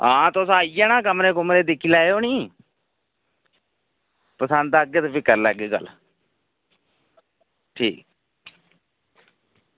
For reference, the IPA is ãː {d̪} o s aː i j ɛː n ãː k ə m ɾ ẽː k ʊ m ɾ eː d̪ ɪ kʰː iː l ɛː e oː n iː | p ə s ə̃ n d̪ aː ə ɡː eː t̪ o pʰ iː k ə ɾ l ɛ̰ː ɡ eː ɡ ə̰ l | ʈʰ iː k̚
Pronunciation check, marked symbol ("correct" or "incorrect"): incorrect